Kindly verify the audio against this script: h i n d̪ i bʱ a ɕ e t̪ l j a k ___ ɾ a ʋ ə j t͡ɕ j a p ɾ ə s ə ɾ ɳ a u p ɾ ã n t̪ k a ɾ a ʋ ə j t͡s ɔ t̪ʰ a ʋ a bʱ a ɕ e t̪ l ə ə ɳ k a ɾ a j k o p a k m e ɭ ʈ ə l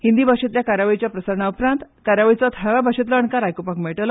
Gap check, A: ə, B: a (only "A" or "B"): B